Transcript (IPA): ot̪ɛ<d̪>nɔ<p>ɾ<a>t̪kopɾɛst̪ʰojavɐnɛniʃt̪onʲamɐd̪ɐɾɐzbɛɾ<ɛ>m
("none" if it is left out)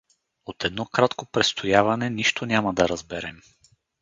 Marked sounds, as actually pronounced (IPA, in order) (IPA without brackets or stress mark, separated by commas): d̪, k, a, ɛ